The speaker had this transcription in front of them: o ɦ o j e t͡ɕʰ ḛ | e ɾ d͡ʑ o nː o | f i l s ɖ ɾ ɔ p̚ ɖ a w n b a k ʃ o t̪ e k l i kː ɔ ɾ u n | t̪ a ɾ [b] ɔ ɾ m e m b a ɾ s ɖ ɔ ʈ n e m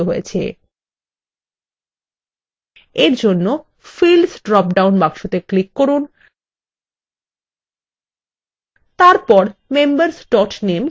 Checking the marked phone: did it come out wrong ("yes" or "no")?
yes